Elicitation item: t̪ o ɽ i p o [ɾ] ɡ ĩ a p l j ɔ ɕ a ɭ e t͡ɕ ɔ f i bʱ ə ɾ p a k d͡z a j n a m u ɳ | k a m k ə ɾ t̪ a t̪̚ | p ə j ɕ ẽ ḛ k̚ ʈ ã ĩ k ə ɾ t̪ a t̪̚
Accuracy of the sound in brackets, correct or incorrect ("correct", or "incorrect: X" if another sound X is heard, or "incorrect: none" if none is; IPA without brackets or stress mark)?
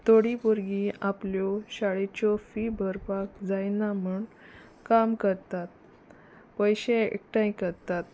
correct